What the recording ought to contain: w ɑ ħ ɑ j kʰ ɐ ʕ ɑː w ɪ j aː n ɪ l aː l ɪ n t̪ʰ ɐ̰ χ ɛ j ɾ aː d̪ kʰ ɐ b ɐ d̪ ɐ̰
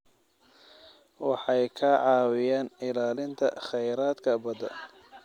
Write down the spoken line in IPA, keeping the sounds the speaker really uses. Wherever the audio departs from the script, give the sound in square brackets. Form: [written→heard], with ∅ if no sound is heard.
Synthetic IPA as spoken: w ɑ ħ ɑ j kʰ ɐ ʕ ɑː w ɪ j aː n ɪ l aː l ɪ n t̪ʰ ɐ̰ χ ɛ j ɾ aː d̪ kʰ ɐ b ɐ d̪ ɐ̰

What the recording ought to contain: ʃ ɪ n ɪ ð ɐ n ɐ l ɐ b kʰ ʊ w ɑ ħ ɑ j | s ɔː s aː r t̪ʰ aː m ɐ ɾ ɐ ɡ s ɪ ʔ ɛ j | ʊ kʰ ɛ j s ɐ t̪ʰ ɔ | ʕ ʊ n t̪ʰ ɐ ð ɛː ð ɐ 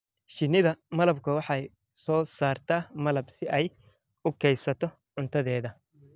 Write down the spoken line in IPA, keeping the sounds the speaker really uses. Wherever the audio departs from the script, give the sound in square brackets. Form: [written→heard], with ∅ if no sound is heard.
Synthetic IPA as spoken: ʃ ɪ n ɪ ð ɐ [n→m] ɐ l ɐ b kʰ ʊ w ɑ ħ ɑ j | s ɔː s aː r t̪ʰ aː m ɐ [ɾ→l] ɐ [ɡ→b] s ɪ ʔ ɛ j | ʊ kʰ ɛ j s ɐ t̪ʰ ɔ | ʕ ʊ n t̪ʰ ɐ ð ɛː ð ɐ

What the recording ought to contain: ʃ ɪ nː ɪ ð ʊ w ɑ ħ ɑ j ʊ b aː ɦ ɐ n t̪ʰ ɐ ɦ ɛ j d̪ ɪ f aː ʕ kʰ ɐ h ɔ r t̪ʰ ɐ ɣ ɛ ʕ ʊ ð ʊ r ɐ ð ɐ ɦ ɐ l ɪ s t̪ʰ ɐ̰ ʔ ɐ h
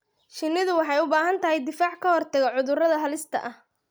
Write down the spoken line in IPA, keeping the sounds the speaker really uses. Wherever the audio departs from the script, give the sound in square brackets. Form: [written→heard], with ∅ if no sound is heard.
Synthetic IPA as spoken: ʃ ɪ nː ɪ ð ʊ w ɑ ħ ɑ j ʊ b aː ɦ ɐ n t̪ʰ ɐ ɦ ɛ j d̪ ɪ f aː ʕ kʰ ɐ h ɔ r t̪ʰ ɐ ɣ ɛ ʕ ʊ ð ʊ r ɐ ð ɐ ɦ ɐ l ɪ s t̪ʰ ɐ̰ ʔ ɐ h

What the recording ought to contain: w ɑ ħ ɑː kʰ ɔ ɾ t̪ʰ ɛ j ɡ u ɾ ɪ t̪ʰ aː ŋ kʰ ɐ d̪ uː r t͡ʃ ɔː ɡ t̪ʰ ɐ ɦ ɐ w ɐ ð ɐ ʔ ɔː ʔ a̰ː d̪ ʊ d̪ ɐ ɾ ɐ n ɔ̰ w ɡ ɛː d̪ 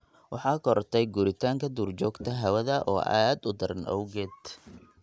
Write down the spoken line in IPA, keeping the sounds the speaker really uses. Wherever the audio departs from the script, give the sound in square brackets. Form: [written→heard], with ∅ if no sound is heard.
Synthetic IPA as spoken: w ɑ ħ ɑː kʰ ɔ ɾ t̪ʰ ɛ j ɡ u ɾ ɪ t̪ʰ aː ŋ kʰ ɐ d̪ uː r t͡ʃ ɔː ɡ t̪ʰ ɐ ɦ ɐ w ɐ ð ɐ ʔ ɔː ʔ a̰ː d̪ ʊ d̪ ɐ ɾ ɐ n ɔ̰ w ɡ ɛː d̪

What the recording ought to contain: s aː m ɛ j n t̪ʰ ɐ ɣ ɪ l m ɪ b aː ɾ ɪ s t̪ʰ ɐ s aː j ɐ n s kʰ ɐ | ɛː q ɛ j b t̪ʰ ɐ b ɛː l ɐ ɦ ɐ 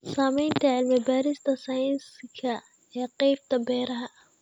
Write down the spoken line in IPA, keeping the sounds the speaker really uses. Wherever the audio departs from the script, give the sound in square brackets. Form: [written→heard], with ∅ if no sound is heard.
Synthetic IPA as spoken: s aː m ɛ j n t̪ʰ ɐ [ɣ→ʕ] ɪ l m ɪ b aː ɾ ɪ s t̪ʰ ɐ s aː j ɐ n s kʰ ɐ | ɛː q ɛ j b t̪ʰ ɐ b ɛː [l→ɾ] ɐ ɦ ɐ

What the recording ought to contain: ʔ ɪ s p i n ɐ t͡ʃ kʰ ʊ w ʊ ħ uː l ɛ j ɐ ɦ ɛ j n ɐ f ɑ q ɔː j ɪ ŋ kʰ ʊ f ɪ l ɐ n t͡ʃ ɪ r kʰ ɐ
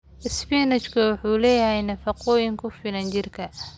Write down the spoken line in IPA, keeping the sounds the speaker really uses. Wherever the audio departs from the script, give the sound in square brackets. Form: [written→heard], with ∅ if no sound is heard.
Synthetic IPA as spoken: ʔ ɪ s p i n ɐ t͡ʃ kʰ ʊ w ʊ ħ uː l [ɛ→ɛː] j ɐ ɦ ɛ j n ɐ f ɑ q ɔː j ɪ ŋ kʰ ʊ f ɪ l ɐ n t͡ʃ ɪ r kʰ ɐ

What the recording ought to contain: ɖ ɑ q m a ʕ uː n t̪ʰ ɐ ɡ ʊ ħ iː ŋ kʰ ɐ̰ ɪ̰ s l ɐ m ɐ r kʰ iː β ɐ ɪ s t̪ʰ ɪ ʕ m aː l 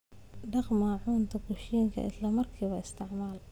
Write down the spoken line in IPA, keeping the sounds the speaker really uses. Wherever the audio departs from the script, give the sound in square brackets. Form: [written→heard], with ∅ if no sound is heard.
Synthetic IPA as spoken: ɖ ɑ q m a ʕ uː n t̪ʰ ɐ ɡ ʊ [ħ→ʃ] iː ŋ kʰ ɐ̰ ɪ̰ s l ɐ m ɐ r kʰ iː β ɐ ɪ s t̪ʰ ɪ ʕ m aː l

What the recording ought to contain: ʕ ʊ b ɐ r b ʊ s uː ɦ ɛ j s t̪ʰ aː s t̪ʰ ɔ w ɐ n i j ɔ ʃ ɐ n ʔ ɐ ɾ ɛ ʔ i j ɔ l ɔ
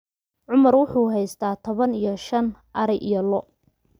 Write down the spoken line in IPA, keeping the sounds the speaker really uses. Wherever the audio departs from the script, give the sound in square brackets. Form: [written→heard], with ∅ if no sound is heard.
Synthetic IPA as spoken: ʕ ʊ [b→m] ɐ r [b→w] ʊ [s→ħ] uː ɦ ɛ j s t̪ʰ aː [s→∅] t̪ʰ ɔ [w→β] ɐ n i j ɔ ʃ ɐ n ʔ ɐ ɾ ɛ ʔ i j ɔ l ɔ

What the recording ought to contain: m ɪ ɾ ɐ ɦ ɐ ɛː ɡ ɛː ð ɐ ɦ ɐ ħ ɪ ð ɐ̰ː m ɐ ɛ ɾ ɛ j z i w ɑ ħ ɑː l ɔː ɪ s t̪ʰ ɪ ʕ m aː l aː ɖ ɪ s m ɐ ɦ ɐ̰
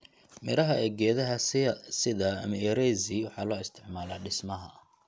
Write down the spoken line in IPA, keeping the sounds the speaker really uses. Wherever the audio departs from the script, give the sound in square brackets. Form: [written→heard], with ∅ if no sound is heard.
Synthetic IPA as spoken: m ɪ ɾ ɐ ɦ ɐ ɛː ɡ ɛː ð ɐ ɦ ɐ [ħ→s] ɪ ð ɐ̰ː m ɐ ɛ ɾ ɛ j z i w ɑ ħ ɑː l ɔː ɪ s t̪ʰ ɪ ʕ m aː l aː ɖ ɪ s m ɐ ɦ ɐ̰

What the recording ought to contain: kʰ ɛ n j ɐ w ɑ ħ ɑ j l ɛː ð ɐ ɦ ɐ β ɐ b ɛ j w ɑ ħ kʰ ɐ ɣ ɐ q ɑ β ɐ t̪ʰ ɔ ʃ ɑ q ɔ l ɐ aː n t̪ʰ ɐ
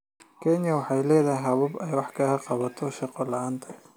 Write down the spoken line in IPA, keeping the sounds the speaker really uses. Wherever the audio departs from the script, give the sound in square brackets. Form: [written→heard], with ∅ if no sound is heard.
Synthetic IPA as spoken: kʰ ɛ n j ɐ w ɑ ħ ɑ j l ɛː ð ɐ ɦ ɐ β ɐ b ɛ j w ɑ ħ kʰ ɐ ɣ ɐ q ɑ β ɐ t̪ʰ ɔ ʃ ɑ q ɔ l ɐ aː n t̪ʰ ɐ

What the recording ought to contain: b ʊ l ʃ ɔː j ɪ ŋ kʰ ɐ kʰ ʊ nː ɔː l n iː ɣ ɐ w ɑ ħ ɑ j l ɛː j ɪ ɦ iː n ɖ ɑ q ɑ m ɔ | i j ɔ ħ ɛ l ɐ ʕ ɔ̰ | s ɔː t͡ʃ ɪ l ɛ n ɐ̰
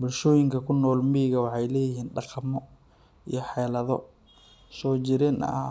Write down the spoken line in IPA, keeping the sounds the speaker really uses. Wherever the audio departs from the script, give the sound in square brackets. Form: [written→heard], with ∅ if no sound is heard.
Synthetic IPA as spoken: b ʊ l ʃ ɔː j ɪ ŋ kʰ ɐ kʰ ʊ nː ɔː l [n→m] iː ɣ ɐ w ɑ ħ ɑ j l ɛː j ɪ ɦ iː n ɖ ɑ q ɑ m ɔ | i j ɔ ħ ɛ l ɐ [ʕ→ð] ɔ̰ | s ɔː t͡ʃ ɪ [l→ɾ] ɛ n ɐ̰

